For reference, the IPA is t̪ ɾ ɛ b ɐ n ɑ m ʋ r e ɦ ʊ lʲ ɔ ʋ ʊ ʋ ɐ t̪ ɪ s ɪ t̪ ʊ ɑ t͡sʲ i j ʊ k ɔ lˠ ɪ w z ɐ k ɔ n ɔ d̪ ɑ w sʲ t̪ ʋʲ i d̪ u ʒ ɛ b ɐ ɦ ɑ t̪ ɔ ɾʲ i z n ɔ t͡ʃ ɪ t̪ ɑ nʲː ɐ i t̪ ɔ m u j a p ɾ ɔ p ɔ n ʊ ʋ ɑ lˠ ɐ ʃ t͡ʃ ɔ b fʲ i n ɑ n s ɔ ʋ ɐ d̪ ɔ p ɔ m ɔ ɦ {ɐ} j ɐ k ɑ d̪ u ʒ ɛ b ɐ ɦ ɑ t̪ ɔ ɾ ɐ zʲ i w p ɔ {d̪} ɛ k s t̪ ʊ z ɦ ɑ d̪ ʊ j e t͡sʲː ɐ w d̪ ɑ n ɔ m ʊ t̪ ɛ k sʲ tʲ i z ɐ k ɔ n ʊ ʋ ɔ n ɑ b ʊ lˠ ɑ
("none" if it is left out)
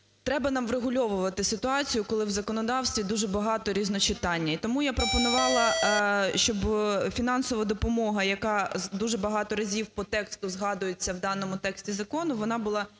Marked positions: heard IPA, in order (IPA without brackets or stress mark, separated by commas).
ɐ, t̪